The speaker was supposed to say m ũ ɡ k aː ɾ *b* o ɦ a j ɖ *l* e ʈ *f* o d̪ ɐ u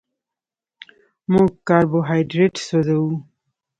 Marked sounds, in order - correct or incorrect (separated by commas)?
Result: correct, incorrect, incorrect